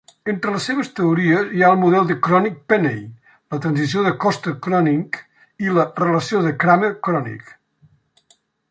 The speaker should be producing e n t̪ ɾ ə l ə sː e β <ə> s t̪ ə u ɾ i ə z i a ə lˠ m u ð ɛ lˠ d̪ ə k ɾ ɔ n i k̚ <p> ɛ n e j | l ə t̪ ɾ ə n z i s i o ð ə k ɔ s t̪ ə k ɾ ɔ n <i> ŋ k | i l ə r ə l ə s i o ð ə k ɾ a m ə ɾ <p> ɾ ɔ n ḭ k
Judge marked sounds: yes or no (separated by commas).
yes, yes, yes, no